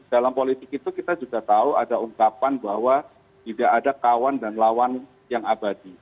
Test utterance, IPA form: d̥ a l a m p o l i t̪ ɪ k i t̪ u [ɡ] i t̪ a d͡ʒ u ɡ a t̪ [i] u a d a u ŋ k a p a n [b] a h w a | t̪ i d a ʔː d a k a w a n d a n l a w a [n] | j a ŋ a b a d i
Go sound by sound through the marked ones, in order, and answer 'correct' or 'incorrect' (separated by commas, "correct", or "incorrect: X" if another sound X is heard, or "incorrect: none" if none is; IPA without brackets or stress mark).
incorrect: k, incorrect: a, correct, correct